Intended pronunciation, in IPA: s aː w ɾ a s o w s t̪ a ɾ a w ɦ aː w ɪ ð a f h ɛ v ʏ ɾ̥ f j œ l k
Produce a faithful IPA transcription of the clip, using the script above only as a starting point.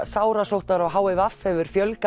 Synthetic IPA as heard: s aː w ɾ a s o w h t̪ a ɾ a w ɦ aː w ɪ v a f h ɛ v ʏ ɾ̥ f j œ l k